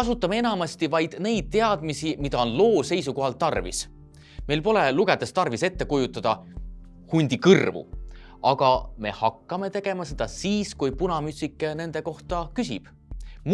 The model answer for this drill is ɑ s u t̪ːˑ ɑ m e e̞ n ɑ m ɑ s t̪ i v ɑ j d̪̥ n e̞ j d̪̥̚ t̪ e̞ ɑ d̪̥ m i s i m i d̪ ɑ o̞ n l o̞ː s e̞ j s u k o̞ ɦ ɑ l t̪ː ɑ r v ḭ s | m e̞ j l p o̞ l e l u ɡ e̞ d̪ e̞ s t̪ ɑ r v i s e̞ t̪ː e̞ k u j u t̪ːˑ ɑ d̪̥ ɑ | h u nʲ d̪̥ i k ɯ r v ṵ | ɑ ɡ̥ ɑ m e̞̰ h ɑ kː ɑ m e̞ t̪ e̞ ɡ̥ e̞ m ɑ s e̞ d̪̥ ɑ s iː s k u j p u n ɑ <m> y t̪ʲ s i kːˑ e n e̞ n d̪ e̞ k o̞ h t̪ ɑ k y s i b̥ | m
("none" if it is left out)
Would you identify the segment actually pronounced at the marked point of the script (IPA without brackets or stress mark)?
m